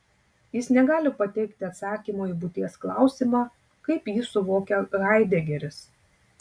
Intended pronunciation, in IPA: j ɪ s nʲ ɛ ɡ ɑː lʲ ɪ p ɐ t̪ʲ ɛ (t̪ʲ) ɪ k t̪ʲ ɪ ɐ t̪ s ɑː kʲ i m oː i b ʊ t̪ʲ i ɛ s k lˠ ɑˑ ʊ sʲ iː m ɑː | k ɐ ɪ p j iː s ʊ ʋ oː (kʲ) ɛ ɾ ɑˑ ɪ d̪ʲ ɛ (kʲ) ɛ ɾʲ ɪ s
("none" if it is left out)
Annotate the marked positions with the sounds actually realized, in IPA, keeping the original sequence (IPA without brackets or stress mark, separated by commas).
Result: none, kʲ, ɡʲ